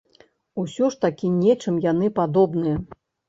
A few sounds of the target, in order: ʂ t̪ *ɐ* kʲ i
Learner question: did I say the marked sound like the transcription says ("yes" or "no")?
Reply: no